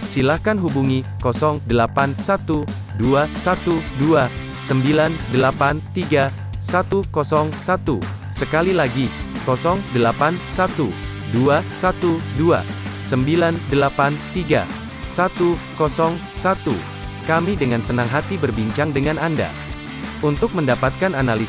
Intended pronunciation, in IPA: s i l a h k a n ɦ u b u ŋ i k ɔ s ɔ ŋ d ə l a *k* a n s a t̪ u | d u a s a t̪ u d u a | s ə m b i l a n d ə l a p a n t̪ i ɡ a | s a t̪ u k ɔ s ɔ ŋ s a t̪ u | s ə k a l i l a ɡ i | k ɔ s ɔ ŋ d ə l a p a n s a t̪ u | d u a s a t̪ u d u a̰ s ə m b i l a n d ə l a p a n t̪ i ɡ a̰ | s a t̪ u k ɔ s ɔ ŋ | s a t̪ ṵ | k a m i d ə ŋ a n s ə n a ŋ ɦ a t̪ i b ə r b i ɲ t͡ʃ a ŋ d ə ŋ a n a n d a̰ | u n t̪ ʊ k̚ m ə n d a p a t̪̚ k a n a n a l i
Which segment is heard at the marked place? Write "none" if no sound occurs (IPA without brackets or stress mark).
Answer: p